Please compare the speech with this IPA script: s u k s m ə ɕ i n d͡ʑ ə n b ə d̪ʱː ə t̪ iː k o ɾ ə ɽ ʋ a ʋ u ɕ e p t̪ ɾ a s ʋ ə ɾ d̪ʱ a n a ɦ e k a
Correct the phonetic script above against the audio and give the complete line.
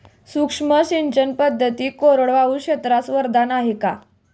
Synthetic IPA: s u k ʂ m ə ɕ i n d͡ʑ ə n p ə d̪ʱː ə t̪ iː k o ɾ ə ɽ ʋ a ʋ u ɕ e t̪ ɾ a s ʋ ə ɾ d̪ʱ a n a ɦ e k a

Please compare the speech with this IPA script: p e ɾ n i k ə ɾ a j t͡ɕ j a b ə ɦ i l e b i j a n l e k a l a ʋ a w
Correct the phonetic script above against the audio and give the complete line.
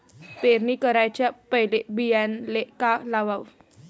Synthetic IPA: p e ɾ n i k ə ɾ a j t͡ɕ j a p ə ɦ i l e b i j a n l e k a l a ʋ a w

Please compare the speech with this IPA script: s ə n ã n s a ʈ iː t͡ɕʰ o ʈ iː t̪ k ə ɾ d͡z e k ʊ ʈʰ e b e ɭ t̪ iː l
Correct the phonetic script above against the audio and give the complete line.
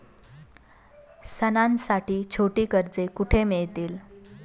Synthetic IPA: s ə n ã n s a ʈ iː t͡ɕʰ o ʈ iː k ə ɾ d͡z e k u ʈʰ e m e ɭ t̪ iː l

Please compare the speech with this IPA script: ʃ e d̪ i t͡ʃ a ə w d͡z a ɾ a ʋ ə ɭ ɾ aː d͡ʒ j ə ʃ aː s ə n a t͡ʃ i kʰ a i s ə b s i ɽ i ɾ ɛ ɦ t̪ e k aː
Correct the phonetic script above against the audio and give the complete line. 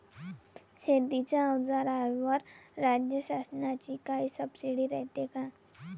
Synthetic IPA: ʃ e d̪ i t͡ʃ a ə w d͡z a ɾ a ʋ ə ɾ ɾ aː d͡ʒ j ə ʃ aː s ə n a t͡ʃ i k a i s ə b s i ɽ i ɾ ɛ ɦ t̪ e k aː

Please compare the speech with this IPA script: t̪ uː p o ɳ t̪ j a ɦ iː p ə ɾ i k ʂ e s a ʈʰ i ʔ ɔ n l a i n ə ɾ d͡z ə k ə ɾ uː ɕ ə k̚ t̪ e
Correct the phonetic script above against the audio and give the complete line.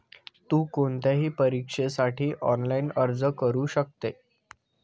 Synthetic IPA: t̪ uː k o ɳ t̪ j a ɦ iː p ə ɾ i k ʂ e s a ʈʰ iː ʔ ɔ n l a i n ə ɾ d͡z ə k ə ɾ uː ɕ ə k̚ t̪ e

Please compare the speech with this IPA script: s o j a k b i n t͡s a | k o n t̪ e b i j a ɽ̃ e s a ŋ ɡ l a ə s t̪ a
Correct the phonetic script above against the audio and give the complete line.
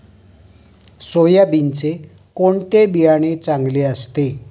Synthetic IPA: s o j a b i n t͡s e | k o ɳ t̪ e b i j a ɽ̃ e t͡s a ŋ ɡ l e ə s t̪ e

